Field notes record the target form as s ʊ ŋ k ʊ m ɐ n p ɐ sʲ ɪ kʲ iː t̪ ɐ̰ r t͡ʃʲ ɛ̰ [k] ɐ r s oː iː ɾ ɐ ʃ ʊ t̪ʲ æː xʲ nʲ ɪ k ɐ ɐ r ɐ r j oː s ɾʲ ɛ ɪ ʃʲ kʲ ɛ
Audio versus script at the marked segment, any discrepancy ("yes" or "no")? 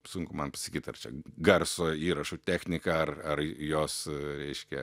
yes